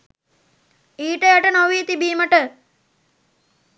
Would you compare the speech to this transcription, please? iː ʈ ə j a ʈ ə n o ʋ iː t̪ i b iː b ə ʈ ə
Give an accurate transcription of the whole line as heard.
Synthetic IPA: iː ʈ ə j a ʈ ə n o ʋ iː t̪ i b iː m ə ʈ ə